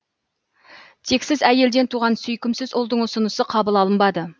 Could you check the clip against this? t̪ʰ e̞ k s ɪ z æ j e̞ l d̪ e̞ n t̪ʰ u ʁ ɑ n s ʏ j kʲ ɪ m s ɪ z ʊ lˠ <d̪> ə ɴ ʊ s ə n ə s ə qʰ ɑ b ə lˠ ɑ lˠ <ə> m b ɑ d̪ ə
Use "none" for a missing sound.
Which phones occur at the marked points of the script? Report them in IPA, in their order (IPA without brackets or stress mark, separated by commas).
d̪, ə